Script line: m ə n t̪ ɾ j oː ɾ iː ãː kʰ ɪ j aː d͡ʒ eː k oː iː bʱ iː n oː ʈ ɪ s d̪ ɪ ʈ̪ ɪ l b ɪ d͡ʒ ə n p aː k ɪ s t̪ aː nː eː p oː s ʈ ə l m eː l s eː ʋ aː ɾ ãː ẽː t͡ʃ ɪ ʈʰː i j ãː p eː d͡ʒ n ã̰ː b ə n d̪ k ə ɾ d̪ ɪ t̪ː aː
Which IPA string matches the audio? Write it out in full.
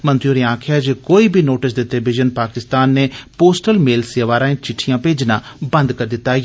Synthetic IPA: m ə n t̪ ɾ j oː ɾ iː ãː kʰ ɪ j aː d͡ʒ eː k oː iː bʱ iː n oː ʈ ɪ s d̪ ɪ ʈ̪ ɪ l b ɪ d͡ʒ ə n p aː k ɪ s t̪ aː nː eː p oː s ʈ ə l m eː l s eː ʋ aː ɾ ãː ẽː t͡ʃ ɪ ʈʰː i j ãː p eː d͡ʒ n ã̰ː b ə n d̪ k ə ɾ d̪ ɪ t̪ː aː